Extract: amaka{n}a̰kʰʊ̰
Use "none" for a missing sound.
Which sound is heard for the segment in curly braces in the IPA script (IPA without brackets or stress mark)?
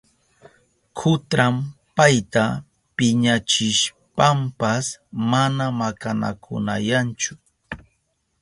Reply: n